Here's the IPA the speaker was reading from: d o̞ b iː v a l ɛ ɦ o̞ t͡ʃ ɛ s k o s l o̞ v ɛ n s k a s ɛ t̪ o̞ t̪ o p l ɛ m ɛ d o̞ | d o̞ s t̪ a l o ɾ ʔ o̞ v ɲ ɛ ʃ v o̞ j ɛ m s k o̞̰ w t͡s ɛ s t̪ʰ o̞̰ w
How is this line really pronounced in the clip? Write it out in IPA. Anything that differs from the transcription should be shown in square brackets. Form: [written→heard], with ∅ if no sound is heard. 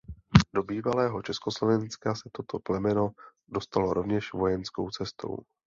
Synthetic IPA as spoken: d o̞ b iː v a l [ɛ→ɛː] ɦ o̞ t͡ʃ ɛ s k o s l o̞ v ɛ n s k a s ɛ t̪ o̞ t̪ o p l ɛ m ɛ [d→n] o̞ | d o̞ s t̪ a l o ɾ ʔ o̞ v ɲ ɛ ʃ v o̞ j ɛ [m→n] s k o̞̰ w t͡s ɛ s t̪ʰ o̞̰ w